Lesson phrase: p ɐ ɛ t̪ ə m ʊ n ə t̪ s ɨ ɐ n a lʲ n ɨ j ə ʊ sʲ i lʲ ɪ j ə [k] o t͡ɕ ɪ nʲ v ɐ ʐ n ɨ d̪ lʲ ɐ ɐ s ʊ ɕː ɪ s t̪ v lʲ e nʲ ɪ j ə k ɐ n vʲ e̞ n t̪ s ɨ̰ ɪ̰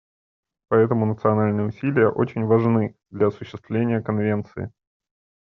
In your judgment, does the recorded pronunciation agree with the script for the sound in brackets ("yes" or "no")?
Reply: no